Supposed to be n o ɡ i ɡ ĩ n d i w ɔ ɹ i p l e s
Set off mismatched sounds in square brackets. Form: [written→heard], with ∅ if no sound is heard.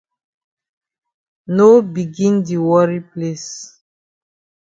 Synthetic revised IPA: n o [ɡ→b] i ɡ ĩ n d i w ɔ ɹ i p l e s